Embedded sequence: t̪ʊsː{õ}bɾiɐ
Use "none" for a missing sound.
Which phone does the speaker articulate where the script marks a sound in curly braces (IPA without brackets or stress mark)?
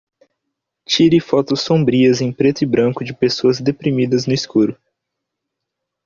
õ